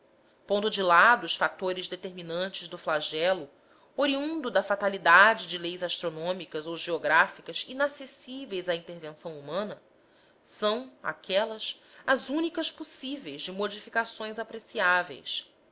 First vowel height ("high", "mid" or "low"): mid